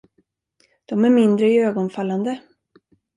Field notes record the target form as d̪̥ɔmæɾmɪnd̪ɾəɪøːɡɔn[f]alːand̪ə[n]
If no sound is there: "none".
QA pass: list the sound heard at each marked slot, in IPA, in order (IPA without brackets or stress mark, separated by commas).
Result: f, none